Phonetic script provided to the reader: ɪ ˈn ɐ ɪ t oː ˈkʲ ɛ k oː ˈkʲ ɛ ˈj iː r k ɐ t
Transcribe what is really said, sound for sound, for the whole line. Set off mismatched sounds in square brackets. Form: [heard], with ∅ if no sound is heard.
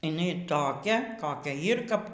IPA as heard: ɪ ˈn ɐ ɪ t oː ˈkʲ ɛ k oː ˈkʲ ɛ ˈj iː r k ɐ [p]